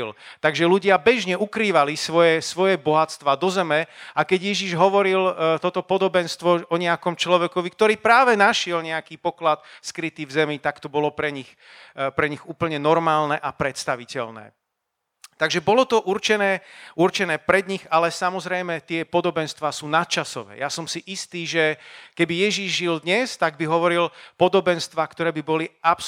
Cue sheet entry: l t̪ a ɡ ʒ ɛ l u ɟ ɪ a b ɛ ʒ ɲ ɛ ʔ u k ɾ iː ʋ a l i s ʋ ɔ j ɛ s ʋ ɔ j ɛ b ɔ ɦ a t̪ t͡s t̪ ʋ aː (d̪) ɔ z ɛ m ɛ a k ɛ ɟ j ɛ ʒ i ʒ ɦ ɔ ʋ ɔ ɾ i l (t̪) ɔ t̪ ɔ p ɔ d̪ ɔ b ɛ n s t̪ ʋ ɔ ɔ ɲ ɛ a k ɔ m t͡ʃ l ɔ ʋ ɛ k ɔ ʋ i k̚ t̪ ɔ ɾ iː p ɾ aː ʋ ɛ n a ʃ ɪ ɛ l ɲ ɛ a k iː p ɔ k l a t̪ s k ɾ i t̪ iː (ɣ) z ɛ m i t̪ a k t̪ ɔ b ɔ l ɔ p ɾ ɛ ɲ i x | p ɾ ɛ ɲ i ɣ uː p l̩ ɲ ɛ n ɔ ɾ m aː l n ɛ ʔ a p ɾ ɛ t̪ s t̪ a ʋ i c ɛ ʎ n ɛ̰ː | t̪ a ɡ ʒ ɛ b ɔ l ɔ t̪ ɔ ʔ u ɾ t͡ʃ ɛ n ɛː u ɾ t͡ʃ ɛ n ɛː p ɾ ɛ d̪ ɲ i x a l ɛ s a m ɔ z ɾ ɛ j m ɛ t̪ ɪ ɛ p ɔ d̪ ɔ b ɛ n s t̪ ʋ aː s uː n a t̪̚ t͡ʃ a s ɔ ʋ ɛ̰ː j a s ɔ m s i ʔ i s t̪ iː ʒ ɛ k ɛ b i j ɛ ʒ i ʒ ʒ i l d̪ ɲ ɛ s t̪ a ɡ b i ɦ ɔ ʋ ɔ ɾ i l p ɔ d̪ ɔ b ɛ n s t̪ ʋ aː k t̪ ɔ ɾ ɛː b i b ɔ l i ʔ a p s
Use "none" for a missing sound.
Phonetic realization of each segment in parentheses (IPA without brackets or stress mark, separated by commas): d̪, t̪, v